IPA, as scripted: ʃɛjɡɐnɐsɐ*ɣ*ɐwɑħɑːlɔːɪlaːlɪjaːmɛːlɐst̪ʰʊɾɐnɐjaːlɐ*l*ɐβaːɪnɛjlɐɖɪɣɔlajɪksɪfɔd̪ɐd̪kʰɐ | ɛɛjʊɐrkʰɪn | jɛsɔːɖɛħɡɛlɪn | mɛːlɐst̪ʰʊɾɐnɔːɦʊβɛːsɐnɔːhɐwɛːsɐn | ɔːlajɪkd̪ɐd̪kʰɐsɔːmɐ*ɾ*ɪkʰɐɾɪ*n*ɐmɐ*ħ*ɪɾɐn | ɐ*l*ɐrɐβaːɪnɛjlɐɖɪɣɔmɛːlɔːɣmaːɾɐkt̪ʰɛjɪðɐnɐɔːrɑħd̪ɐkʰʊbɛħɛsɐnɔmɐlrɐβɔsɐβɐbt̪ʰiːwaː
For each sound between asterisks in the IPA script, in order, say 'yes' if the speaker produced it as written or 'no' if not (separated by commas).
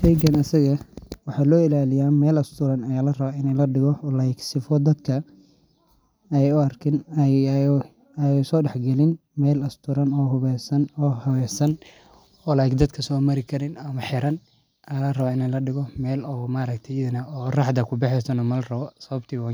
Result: yes, no, yes, yes, yes, yes